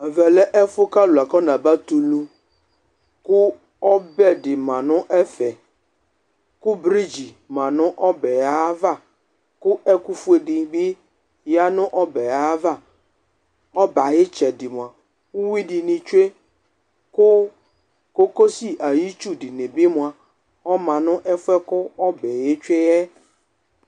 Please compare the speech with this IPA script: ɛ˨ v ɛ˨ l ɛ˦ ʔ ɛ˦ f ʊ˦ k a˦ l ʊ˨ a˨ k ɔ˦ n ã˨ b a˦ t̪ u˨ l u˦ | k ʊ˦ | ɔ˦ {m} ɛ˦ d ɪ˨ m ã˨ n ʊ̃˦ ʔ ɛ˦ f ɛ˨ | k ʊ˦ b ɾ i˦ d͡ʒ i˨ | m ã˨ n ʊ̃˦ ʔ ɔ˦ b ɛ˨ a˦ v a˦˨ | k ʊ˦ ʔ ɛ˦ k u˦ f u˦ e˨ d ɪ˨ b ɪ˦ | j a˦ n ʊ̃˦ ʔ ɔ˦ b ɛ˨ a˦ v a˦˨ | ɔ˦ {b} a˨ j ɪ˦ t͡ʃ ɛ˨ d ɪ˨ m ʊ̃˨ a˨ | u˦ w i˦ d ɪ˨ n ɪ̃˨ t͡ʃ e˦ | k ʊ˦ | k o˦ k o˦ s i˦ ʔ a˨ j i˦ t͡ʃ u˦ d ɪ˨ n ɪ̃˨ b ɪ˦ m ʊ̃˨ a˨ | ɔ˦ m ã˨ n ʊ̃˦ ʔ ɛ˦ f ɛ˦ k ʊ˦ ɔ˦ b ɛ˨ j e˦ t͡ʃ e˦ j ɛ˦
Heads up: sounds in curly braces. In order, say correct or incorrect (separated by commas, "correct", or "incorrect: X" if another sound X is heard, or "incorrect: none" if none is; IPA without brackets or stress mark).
incorrect: b, correct